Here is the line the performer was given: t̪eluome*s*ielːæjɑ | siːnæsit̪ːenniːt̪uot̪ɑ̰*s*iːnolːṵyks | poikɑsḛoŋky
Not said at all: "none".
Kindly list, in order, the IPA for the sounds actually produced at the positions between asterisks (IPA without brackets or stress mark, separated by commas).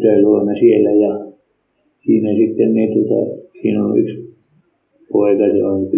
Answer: s, s